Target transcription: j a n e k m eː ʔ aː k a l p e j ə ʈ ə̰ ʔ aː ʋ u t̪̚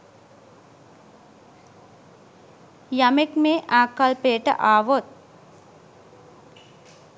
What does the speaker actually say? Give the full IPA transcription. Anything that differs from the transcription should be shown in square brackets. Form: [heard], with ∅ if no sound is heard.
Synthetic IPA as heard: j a [m] e k m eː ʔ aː k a l p e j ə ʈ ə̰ ʔ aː ʋ [o] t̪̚